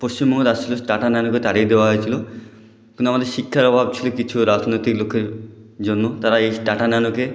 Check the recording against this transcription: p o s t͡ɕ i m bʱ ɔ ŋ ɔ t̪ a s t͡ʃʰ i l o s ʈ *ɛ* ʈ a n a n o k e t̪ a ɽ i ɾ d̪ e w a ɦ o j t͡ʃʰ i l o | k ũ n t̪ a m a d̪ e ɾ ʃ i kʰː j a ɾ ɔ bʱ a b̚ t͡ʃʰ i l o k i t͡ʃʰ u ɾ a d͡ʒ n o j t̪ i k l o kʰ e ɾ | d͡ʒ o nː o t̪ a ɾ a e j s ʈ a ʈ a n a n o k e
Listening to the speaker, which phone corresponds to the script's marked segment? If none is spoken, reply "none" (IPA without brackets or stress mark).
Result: a